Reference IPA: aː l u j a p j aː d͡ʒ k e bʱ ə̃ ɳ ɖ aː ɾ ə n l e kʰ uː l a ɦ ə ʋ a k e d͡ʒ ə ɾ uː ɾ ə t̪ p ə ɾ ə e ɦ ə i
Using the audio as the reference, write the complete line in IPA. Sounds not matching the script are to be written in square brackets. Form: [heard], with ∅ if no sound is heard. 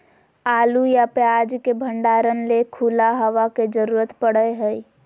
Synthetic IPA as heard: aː l u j a p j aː d͡ʒ k e bʱ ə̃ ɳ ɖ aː ɾ ə n l e kʰ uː l a ɦ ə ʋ a k e d͡ʒ ə ɾ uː ɾ ə t̪ p ə [ɽ] ə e ɦ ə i